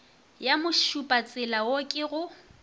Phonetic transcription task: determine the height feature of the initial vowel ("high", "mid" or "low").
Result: low